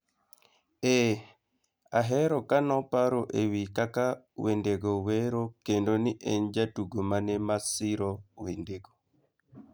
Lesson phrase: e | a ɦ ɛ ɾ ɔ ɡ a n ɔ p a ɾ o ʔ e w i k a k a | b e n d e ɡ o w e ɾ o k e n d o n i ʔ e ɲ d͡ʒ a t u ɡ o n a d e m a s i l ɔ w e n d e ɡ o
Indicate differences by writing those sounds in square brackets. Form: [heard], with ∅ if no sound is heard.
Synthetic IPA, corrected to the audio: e | a ɦ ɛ ɾ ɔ [k] a n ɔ p a ɾ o ʔ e w i k a k a | [w] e n d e ɡ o w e ɾ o k e n d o n i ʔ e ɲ d͡ʒ a t u ɡ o [m] a [n] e m a s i [ɾ] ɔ w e n d e ɡ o

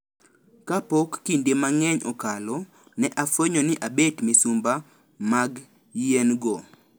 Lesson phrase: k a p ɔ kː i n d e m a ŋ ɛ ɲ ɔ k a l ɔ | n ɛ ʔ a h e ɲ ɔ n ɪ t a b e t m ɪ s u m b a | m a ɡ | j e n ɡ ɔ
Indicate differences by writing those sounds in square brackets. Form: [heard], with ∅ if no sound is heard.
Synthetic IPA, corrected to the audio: k a p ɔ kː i n d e m a ŋ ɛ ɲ ɔ k a l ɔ | n ɛ ʔ a [f] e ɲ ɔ n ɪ [ʔ] a b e t m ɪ s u m b a | m a ɡ | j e n ɡ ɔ

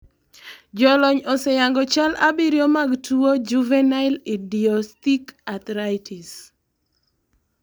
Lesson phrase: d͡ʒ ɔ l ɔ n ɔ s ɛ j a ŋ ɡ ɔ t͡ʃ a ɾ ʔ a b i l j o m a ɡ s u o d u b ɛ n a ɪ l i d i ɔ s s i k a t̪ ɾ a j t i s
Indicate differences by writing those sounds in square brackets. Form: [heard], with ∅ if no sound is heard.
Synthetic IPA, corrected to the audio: d͡ʒ ɔ l ɔ [ɲ] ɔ s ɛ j a ŋ ɡ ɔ t͡ʃ a [l] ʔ a b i [ɾ] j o m a ɡ [t] u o [d͡ʒ] u [v] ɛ n a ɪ l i d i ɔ s [t] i k a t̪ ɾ a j t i s

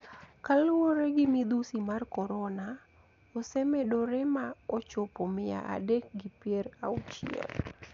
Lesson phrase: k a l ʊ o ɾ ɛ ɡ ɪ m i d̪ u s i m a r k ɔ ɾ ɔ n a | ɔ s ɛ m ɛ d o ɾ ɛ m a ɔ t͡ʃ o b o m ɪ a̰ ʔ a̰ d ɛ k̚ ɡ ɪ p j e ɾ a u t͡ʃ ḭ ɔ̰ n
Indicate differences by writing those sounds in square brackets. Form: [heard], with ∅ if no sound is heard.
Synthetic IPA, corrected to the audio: k a l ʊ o ɾ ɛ ɡ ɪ m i d̪ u s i m a r k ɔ ɾ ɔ n a | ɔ s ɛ m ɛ d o ɾ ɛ m a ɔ t͡ʃ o [p] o m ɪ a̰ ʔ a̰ d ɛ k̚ ɡ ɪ p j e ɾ a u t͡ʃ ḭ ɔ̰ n

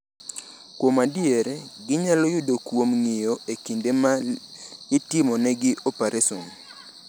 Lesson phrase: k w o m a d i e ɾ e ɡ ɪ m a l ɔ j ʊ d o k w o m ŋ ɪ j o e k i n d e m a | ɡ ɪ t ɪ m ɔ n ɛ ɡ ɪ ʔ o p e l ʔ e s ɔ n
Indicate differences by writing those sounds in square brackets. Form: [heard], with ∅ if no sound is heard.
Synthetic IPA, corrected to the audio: k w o m a d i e ɾ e ɡ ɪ [ɲ] a l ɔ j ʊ d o k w o m ŋ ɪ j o e k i n d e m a | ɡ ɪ t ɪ m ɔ n ɛ ɡ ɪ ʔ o p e [ɾ] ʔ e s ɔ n

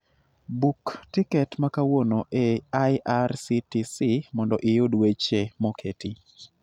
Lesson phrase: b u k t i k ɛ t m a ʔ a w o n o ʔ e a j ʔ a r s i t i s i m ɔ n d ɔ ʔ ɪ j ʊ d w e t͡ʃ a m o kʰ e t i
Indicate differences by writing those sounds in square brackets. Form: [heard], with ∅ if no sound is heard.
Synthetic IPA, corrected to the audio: b u k t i k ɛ t m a [k] a w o n o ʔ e a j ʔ a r s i t i s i m ɔ n d ɔ ʔ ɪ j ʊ d w e t͡ʃ [e] m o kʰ e t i

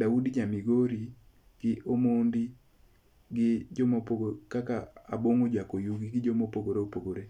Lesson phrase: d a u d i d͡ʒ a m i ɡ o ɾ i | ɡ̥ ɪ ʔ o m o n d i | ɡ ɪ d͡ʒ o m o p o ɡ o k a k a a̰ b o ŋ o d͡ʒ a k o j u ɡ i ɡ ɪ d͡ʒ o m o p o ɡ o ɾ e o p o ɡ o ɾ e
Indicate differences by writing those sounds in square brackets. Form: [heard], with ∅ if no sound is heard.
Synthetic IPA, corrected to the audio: d a u d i d͡ʒ a m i ɡ o ɾ i | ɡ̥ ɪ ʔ o m o n d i | ɡ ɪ d͡ʒ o m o p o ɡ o k a k a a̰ b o ŋ o d͡ʒ a k o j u ɡ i ɡ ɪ d͡ʒ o m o p o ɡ o ɾ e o p o ɡ o ɾ e

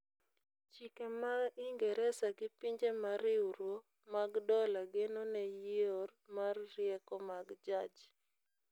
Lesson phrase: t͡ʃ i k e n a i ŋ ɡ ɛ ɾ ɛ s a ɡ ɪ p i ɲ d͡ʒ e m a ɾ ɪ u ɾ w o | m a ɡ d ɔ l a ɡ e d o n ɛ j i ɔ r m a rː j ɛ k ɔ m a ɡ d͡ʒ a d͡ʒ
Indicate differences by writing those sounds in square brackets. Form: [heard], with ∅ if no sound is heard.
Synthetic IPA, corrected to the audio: t͡ʃ i k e [m] a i ŋ ɡ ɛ ɾ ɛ s a ɡ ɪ p i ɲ d͡ʒ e m a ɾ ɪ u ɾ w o | m a ɡ d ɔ l a ɡ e [n] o n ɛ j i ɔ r m a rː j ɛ k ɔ m a ɡ d͡ʒ a d͡ʒ

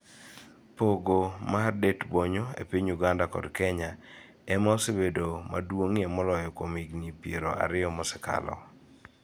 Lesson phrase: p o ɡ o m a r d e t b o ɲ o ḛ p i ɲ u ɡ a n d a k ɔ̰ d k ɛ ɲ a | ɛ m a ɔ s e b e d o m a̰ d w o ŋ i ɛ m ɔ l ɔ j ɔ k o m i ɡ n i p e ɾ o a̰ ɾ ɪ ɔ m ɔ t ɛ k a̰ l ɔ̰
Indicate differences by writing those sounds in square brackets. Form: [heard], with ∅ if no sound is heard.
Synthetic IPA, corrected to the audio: p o ɡ o m a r d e t b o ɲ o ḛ p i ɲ u ɡ a n d a k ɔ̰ d k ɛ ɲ a | ɛ m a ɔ s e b e d o m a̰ d w o ŋ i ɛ m ɔ l ɔ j ɔ k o m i ɡ n i p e ɾ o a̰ ɾ ɪ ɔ m ɔ [s] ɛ k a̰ l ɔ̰

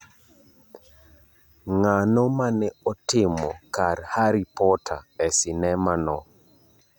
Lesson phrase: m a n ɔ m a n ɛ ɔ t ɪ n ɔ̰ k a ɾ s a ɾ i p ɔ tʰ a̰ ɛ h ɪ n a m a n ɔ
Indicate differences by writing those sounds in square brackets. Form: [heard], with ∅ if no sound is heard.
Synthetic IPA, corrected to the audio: [ŋ] a n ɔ m a n ɛ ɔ t ɪ [m] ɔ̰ k a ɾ [h] a ɾ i p ɔ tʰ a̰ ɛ [s] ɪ n [ɛ] m a n ɔ

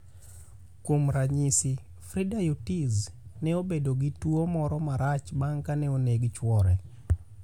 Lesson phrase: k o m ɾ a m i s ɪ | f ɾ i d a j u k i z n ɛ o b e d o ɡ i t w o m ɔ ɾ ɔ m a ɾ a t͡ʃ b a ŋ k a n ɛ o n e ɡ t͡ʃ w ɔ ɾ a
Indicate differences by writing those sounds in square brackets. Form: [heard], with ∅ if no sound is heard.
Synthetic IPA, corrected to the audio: k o m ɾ a [ɲ] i s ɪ | f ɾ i d a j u [t] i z n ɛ o b e d o ɡ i t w o m ɔ ɾ ɔ m a ɾ a t͡ʃ b a ŋ k a n ɛ o n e ɡ t͡ʃ w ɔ ɾ [ɛ]

